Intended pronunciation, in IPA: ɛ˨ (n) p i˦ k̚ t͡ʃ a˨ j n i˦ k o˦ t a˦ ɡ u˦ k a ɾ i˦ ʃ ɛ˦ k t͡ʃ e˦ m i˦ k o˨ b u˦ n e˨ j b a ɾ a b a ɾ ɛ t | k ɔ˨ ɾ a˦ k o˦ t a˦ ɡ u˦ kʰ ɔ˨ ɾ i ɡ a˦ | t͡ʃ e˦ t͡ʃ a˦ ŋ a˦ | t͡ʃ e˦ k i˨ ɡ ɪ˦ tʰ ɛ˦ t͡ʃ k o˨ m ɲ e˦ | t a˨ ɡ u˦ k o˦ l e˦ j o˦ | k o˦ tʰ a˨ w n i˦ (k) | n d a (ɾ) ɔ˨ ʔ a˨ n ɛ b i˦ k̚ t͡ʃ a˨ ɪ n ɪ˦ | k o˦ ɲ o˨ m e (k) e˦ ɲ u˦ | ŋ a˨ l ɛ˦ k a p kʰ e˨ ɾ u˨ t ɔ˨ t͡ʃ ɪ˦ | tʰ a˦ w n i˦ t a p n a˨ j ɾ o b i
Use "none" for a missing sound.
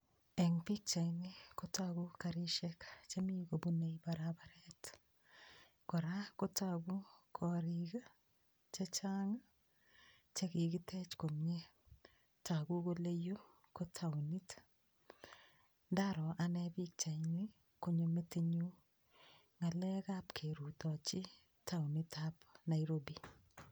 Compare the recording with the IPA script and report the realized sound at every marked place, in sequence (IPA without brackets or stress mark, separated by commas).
ŋ, t, ɾ, t